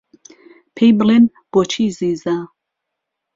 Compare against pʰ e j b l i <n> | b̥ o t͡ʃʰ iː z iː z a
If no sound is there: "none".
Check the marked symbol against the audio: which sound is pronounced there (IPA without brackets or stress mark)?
n